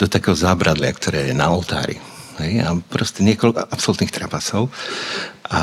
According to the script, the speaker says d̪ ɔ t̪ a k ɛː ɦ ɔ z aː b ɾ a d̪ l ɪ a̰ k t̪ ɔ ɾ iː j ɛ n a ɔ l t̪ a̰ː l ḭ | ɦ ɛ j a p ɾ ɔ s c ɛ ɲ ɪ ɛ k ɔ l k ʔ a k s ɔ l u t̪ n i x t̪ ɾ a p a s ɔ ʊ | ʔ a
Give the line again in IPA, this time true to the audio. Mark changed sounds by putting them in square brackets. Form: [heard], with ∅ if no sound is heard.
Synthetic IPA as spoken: d̪ ɔ t̪ a k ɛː ɦ ɔ z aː b ɾ a d̪ l ɪ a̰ k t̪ ɔ ɾ [ɛː] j ɛ n a ɔ l t̪ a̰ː [ɾ] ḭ | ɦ ɛ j a p ɾ ɔ s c ɛ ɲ ɪ ɛ k ɔ l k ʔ a [p] s ɔ l u t̪ n i x t̪ ɾ a p a s ɔ ʊ | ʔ a